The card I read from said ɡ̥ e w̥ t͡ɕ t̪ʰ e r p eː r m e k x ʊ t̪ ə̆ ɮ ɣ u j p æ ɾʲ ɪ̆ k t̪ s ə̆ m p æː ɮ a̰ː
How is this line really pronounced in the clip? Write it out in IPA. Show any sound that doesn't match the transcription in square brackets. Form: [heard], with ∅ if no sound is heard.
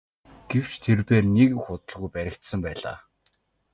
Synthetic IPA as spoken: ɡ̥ e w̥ t͡ɕ t̪ʰ e r p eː r [n] e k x ʊ t̪ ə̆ ɮ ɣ u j p æ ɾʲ ɪ̆ k t̪ s ə̆ m p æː ɮ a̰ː